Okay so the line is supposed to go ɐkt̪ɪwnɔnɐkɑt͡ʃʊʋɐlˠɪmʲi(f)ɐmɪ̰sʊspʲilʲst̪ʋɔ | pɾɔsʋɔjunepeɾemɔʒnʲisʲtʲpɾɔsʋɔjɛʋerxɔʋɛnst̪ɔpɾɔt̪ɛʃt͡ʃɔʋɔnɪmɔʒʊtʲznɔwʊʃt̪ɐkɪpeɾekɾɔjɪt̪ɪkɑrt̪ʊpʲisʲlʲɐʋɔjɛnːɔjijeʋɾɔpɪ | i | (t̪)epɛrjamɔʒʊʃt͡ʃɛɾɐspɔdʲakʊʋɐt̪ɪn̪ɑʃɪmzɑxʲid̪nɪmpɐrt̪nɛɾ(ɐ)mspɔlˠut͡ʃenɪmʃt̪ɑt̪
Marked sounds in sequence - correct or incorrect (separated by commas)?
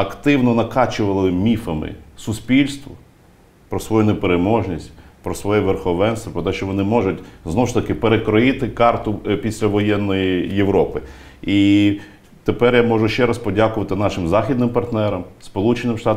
correct, correct, correct